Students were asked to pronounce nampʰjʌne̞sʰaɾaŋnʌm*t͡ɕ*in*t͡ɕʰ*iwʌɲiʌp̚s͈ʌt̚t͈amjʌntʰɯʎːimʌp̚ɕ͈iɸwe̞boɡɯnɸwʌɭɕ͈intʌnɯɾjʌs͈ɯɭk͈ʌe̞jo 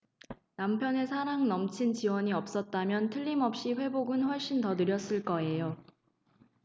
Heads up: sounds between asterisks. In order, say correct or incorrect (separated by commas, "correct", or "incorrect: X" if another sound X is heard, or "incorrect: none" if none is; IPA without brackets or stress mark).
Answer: incorrect: t͡ɕʰ, incorrect: t͡ɕ